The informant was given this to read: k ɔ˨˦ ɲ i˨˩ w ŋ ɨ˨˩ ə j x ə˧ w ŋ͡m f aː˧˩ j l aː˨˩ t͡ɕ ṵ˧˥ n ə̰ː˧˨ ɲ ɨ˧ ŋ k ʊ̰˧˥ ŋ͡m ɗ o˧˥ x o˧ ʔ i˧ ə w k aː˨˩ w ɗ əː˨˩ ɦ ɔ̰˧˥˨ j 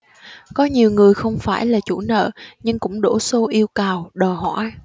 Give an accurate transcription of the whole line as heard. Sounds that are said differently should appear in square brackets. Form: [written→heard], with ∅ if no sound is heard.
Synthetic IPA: k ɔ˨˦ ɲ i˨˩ w ŋ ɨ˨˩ ə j x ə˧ w ŋ͡m f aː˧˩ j l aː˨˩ t͡ɕ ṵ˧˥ n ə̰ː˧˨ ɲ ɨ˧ ŋ k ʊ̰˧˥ ŋ͡m ɗ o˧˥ [x→s] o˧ ʔ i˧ ə w k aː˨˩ w ɗ əː˨˩ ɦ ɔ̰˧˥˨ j

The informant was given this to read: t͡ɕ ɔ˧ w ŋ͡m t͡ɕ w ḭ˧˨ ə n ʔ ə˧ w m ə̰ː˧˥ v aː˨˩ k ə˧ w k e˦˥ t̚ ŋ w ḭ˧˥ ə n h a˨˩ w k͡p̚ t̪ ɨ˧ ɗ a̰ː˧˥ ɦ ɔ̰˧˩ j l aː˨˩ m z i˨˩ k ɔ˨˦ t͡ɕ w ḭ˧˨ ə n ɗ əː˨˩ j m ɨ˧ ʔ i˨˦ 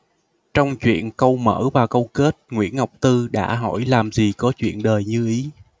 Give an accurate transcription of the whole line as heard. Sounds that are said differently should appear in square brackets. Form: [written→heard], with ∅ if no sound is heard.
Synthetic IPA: t͡ɕ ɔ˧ w ŋ͡m t͡ɕ w ḭ˧˨ ə n [ʔ→k] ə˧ w m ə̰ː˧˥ v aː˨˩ k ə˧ w k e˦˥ t̚ ŋ w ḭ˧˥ ə n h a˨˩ w k͡p̚ t̪ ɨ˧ ɗ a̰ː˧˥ ɦ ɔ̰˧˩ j l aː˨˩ m z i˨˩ k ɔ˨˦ t͡ɕ w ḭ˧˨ ə n ɗ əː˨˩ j [m→ɲ] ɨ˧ ʔ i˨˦

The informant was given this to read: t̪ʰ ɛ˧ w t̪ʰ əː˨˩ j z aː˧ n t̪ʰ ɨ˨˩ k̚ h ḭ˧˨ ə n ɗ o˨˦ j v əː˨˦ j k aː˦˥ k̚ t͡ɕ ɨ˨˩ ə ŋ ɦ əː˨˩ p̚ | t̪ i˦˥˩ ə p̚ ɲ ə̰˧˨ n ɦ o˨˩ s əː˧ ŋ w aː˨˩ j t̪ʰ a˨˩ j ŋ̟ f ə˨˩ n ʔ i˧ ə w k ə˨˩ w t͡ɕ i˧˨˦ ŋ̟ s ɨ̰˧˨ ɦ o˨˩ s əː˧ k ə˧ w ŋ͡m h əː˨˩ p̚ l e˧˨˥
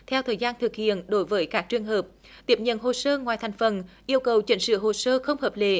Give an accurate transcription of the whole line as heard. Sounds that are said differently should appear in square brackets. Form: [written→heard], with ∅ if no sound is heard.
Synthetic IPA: t̪ʰ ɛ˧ w t̪ʰ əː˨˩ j z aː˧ n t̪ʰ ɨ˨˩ k̚ h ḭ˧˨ ə n ɗ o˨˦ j v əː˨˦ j k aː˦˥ k̚ t͡ɕ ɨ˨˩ ə ŋ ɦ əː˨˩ p̚ | t̪ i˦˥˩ ə p̚ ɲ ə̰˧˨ n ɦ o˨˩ s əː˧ ŋ w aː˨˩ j t̪ʰ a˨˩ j ŋ̟ f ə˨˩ n ʔ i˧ ə w k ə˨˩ w t͡ɕ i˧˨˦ ŋ̟ s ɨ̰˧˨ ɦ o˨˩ s əː˧ [k→x] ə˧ w ŋ͡m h əː˨˩ p̚ l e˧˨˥

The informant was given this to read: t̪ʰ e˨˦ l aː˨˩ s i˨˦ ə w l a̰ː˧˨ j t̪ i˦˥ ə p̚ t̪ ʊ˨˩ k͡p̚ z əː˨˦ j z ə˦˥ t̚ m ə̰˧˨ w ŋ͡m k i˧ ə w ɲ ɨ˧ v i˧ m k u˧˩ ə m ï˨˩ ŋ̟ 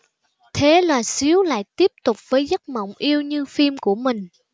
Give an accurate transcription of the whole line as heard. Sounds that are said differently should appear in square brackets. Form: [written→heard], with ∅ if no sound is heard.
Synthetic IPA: t̪ʰ e˨˦ l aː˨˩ s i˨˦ ə w l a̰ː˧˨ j t̪ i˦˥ ə p̚ t̪ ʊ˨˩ k͡p̚ [z→v] əː˨˦ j z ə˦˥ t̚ m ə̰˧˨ w ŋ͡m [k→ʔ] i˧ ə w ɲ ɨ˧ [v→f] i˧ m k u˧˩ ə m ï˨˩ ŋ̟

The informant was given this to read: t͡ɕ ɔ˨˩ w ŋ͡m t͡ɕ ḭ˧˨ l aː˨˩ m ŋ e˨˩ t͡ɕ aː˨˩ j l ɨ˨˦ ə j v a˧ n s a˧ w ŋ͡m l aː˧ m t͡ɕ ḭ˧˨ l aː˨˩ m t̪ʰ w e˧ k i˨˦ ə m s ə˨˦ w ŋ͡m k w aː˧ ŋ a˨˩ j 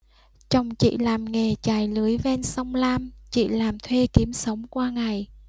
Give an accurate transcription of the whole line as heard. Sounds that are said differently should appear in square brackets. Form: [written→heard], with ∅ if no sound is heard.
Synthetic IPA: t͡ɕ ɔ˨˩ w ŋ͡m t͡ɕ ḭ˧˨ l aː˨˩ m ŋ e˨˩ t͡ɕ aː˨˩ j l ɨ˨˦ ə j v [a˧→ɛ˧] n s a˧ w ŋ͡m l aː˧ m t͡ɕ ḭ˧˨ l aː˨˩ m t̪ʰ w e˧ k i˨˦ ə m s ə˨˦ w ŋ͡m k w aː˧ ŋ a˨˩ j

